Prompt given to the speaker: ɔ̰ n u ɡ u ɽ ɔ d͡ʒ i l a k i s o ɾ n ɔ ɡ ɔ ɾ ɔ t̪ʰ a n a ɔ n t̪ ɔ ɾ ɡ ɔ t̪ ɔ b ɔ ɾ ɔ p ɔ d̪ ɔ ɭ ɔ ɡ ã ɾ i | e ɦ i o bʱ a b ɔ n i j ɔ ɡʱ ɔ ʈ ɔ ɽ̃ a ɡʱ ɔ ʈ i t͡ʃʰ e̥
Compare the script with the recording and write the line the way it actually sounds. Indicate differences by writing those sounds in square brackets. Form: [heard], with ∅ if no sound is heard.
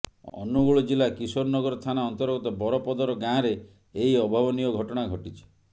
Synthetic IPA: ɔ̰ n u ɡ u [ɭ] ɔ d͡ʒ i l a k i s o ɾ n ɔ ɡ ɔ ɾ ɔ t̪ʰ a n a ɔ n t̪ ɔ ɾ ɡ ɔ t̪ ɔ b ɔ ɾ ɔ p ɔ d̪ ɔ [ɾ] ɔ ɡ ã ɾ [e] | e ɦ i [ɔ] bʱ a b ɔ n i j ɔ ɡʱ ɔ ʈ ɔ ɽ̃ a ɡʱ ɔ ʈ i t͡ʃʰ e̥